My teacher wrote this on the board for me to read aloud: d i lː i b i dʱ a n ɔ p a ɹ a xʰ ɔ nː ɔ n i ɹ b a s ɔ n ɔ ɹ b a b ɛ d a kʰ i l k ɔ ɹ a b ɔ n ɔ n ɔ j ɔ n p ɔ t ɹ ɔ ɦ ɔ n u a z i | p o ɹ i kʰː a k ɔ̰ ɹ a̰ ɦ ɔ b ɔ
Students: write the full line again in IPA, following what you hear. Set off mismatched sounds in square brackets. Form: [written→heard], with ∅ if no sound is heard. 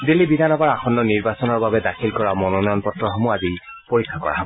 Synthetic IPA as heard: d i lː i b i dʱ a n ɔ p a ɹ a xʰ ɔ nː ɔ n i ɹ b a s ɔ n ɔ ɹ b a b ɛ d a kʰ i l k ɔ ɹ a [b→m] ɔ n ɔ n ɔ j ɔ n p ɔ t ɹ ɔ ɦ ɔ [n→m] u a z i | p o ɹ i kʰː a k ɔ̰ ɹ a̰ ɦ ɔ b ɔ